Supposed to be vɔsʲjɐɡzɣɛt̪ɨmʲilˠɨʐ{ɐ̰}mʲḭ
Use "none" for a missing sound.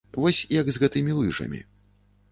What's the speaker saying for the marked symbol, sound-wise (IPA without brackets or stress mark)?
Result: ɐ̰